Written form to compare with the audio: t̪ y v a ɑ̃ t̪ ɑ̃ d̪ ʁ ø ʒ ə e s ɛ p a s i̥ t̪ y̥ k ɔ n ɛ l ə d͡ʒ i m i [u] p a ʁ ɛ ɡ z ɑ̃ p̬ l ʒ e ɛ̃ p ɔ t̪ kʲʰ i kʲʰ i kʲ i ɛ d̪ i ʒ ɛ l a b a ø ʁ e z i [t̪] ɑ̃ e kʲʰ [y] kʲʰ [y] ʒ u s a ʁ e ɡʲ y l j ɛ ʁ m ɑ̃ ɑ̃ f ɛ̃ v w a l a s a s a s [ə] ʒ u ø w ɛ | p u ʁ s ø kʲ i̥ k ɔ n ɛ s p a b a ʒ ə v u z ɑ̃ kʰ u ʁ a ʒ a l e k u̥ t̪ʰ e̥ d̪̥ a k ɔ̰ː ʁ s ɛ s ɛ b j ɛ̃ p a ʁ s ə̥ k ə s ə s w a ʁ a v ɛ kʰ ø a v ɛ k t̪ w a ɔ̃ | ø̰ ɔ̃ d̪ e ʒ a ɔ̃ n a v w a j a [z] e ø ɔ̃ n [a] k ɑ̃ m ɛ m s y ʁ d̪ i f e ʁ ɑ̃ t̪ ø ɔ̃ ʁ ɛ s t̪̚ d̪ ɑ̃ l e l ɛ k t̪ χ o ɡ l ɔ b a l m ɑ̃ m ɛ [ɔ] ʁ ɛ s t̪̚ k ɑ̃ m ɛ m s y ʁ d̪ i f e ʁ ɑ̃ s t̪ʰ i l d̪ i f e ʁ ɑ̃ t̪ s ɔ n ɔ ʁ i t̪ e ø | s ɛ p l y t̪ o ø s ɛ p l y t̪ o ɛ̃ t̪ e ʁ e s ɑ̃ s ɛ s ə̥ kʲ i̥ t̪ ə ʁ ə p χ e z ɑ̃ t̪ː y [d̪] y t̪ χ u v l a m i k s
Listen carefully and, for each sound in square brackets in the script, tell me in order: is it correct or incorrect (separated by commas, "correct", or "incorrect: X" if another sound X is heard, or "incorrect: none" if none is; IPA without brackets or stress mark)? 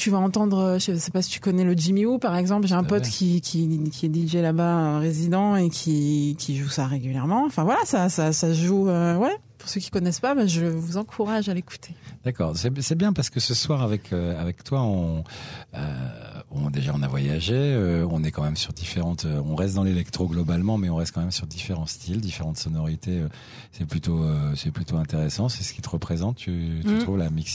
correct, incorrect: d̪, incorrect: i, incorrect: i, incorrect: a, incorrect: ʒ, incorrect: ɛ, incorrect: ɔ̃, incorrect: t̪